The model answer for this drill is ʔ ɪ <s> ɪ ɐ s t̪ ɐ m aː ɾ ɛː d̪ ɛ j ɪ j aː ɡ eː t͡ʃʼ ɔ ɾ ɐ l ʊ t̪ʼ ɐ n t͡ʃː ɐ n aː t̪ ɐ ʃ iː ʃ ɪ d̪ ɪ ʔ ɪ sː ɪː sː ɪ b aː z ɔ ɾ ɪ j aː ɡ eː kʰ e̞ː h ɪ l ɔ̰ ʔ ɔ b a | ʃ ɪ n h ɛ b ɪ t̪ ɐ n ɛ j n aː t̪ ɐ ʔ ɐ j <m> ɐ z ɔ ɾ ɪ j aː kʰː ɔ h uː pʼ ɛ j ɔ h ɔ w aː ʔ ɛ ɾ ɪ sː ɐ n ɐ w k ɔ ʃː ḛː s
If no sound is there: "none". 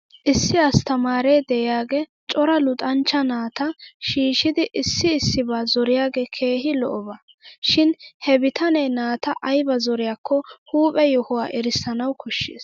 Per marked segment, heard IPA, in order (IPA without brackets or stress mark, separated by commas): sː, b